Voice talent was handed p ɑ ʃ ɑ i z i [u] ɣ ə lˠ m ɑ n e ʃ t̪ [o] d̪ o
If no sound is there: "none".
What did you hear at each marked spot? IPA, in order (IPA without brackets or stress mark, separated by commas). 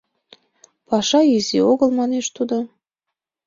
o, u